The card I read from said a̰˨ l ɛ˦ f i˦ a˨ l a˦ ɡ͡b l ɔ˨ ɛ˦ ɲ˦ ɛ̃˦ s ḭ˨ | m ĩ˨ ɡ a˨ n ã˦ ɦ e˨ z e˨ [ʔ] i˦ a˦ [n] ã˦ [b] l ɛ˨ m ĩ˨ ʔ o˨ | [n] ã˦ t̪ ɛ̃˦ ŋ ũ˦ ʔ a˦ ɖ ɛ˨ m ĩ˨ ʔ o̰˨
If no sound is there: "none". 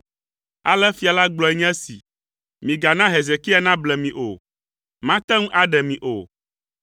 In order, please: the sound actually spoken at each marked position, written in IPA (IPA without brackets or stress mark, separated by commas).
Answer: k, n, b, m